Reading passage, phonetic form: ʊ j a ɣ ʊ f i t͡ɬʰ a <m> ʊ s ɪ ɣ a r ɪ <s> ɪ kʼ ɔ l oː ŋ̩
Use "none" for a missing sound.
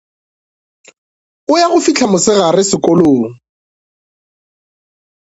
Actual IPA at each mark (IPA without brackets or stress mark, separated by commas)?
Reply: m, s